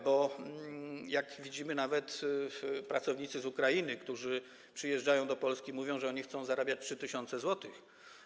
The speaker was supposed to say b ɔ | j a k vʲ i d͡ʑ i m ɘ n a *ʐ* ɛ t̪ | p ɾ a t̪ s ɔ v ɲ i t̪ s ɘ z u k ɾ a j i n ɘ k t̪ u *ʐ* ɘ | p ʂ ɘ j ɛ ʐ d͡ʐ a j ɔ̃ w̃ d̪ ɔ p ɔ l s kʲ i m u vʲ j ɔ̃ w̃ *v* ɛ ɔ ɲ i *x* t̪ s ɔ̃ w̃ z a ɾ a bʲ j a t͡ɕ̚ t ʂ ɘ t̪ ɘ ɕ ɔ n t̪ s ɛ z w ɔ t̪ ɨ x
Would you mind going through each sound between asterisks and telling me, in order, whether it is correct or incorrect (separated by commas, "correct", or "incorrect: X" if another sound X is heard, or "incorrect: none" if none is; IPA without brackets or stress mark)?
incorrect: v, correct, incorrect: ʐ, correct